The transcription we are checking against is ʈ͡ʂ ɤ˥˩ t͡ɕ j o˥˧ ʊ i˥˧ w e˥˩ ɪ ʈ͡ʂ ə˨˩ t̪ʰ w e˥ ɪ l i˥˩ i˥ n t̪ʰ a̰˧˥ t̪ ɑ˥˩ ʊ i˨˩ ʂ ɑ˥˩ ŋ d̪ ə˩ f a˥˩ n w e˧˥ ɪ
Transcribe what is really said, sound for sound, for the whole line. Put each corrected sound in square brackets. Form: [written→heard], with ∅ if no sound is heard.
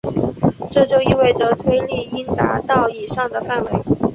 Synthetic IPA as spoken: ʈ͡ʂ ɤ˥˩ t͡ɕ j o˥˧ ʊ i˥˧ w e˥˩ ɪ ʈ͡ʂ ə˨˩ t̪ʰ w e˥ ɪ l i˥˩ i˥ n [t̪ʰ→t̪] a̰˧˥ t̪ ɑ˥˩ ʊ i˨˩ ʂ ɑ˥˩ ŋ d̪ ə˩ f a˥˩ n w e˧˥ ɪ